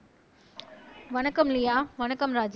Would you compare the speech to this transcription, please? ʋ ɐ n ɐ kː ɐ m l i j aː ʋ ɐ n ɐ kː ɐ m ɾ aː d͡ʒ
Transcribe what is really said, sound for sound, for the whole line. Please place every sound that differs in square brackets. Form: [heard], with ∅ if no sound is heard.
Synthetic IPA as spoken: ʋ ɐ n ɐ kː ɐ m l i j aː ʋ ɐ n ɐ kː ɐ m ɾ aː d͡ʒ